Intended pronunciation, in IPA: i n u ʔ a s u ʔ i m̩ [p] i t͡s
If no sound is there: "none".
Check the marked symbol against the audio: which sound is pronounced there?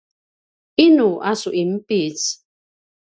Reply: p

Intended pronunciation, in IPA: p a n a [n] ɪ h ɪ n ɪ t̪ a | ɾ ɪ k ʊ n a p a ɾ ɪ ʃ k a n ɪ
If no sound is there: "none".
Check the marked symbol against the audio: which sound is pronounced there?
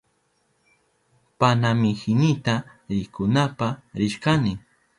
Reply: m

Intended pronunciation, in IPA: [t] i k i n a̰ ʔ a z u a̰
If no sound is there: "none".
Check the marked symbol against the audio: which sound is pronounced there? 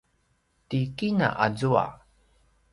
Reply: t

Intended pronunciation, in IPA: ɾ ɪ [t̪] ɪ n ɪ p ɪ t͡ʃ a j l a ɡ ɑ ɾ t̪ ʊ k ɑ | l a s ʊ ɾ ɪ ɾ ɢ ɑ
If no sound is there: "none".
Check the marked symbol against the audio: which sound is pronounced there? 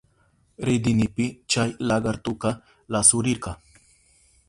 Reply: d̪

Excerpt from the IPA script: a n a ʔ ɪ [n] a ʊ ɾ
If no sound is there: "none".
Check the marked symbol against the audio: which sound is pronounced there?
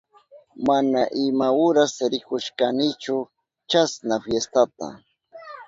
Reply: m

